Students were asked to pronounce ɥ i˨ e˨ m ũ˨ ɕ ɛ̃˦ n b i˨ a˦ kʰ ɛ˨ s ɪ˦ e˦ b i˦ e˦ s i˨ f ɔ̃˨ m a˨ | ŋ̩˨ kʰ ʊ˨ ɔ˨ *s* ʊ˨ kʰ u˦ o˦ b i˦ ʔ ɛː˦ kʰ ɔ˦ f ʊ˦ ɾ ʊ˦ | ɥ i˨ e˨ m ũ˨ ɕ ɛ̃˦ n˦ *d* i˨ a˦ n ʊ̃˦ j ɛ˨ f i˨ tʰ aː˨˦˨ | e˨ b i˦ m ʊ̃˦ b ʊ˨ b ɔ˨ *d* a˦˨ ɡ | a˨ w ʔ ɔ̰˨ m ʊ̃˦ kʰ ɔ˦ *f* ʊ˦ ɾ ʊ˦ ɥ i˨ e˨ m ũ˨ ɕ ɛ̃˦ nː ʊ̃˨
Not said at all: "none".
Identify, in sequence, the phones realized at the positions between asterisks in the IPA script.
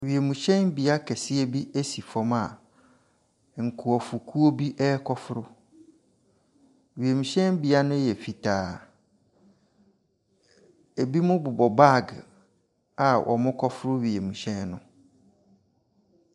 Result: f, b, b, f

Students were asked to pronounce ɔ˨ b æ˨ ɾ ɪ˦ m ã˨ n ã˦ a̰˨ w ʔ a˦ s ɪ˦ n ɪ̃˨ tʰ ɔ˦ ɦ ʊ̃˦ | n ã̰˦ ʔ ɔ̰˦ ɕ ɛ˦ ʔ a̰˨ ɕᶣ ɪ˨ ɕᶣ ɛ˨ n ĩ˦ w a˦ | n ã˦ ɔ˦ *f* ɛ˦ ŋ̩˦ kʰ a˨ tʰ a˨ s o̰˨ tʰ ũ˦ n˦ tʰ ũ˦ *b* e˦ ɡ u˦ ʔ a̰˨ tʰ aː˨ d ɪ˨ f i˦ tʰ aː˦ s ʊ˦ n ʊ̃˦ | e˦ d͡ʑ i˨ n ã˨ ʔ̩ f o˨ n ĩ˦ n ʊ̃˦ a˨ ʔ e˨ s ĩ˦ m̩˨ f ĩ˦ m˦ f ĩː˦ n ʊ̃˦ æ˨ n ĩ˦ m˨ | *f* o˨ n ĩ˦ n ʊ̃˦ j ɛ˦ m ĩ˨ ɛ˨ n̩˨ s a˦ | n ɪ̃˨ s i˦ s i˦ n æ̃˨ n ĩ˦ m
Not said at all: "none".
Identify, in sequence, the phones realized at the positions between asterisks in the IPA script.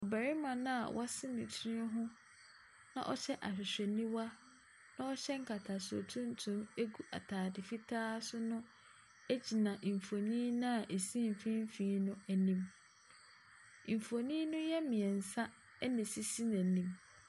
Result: ɕ, m, f

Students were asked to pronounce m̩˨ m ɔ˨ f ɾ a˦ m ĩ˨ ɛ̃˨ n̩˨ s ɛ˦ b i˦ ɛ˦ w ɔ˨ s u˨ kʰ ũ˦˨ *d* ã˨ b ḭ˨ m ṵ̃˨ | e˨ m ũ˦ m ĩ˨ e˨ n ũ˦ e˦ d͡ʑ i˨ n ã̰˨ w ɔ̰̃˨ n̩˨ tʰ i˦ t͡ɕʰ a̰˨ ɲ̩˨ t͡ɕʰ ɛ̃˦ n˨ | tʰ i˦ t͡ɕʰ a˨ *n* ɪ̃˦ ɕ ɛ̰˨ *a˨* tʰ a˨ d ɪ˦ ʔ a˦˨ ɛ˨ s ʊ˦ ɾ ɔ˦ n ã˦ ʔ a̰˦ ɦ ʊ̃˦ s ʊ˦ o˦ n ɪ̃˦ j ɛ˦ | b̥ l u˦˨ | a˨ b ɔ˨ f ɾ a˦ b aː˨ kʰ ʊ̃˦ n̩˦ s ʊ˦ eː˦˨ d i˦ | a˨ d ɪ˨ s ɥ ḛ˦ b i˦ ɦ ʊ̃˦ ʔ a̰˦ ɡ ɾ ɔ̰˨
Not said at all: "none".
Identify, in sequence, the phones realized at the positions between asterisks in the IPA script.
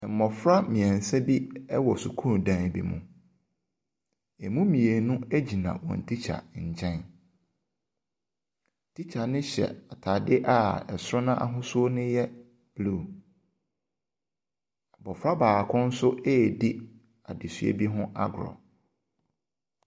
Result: d, n, a˨

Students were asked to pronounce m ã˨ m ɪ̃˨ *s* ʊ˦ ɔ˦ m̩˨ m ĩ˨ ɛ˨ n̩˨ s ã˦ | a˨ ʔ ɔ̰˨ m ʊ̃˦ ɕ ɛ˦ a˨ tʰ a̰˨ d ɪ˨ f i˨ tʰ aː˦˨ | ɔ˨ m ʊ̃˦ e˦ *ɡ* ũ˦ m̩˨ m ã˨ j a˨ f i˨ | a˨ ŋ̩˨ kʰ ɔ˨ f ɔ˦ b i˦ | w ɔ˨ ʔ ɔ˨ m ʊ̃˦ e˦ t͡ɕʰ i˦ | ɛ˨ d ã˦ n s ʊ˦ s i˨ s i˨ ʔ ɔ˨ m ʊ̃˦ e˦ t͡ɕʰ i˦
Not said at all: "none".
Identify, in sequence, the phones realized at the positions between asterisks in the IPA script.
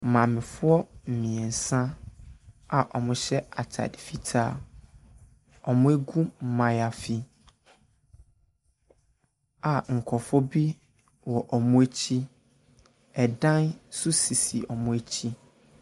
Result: f, ɡ

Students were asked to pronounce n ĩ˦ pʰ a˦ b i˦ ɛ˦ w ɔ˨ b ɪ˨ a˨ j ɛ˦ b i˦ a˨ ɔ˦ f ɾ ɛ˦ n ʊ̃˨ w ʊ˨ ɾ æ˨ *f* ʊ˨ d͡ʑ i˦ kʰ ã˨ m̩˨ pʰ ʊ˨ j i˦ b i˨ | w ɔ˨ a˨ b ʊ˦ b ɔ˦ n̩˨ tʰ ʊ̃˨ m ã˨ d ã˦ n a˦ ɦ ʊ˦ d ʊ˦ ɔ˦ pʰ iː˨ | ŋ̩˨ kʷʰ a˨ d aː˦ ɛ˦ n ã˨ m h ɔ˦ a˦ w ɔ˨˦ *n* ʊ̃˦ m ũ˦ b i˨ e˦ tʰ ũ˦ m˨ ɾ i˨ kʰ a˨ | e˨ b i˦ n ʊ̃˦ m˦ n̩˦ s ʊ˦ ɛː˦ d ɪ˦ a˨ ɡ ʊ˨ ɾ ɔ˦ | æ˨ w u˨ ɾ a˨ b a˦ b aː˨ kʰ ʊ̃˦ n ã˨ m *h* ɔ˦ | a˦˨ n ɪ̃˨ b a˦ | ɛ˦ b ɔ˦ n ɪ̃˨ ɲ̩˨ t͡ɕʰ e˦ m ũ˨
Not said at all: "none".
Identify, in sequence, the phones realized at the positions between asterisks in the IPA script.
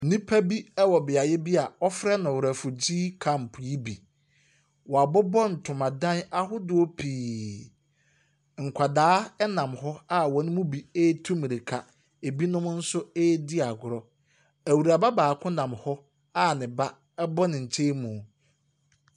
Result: f, n, h

